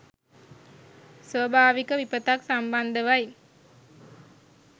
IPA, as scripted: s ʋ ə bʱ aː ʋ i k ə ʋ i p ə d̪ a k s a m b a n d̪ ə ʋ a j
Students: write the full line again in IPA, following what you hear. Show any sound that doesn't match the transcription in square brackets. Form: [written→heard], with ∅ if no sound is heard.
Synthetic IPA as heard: s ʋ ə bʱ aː ʋ i k ə ʋ i p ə [d̪→t̪] a k s a m b a n d̪ ə ʋ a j